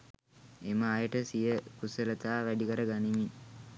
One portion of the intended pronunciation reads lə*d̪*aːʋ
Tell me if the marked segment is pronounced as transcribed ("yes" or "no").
no